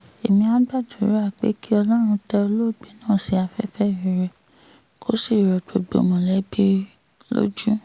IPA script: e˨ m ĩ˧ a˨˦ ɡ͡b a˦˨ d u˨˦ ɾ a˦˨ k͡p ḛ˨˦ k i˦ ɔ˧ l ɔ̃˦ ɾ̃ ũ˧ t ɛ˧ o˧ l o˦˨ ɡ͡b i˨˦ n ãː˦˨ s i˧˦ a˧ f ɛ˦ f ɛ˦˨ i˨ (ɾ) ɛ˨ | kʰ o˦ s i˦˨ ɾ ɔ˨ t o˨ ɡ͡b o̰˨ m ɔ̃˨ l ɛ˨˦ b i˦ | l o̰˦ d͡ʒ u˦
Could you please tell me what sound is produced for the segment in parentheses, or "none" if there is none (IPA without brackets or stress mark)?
ɾ